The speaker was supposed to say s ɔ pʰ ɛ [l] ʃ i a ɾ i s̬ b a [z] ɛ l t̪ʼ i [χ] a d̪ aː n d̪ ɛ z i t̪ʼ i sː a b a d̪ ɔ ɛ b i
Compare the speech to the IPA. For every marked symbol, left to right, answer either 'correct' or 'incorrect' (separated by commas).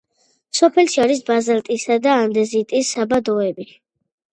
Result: correct, correct, incorrect